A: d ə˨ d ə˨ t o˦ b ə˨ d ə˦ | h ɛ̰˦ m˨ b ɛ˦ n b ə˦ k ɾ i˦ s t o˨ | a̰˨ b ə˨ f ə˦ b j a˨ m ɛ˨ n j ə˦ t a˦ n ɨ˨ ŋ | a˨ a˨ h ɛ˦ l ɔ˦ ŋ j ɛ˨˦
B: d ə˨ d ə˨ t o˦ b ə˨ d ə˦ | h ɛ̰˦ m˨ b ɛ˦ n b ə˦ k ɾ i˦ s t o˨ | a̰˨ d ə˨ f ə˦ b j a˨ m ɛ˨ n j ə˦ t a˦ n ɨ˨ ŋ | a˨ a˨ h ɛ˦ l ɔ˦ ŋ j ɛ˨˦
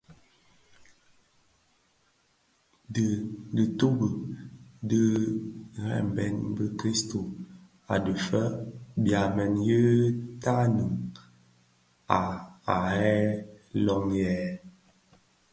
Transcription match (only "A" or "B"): B